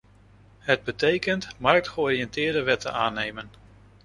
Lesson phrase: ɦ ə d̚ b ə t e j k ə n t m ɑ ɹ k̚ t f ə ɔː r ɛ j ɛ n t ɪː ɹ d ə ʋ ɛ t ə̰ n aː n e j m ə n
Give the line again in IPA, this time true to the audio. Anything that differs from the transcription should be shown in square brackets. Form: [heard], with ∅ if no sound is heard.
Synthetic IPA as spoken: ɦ ə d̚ b ə t e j k ə n t m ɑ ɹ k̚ t [χ] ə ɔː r [i] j ɛ n t ɪː ɹ d ə ʋ ɛ t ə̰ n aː n e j m ə n